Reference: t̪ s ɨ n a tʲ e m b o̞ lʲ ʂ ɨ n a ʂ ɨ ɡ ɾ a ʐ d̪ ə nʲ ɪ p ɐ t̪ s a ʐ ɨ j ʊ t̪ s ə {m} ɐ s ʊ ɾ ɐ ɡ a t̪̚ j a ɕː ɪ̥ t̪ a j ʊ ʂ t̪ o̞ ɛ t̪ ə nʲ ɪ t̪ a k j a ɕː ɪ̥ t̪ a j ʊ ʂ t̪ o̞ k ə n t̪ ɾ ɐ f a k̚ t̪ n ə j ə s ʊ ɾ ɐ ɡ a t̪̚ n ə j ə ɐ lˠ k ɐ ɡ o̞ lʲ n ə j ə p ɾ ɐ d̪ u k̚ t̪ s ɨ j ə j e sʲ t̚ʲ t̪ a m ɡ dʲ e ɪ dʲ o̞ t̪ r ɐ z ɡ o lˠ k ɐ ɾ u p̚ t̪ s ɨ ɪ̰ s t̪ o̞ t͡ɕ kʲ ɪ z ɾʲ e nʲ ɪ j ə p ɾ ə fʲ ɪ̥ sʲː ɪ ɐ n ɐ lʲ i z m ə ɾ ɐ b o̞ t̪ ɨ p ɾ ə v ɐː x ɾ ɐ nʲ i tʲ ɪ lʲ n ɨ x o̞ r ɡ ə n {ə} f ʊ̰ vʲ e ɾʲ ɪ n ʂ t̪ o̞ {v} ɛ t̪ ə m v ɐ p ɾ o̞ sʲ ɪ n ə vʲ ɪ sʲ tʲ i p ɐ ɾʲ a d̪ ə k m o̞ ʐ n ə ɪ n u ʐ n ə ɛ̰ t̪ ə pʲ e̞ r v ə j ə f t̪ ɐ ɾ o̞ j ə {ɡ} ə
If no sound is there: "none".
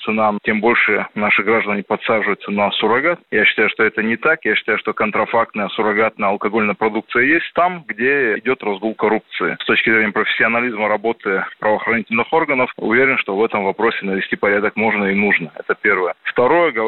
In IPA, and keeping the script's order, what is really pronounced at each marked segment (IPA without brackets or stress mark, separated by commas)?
n, ə, v, ɡ